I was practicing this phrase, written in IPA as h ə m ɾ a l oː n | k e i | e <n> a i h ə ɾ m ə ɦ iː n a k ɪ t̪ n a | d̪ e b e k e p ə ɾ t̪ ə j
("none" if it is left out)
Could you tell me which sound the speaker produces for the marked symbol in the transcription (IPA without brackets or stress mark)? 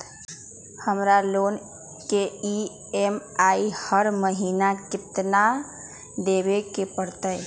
m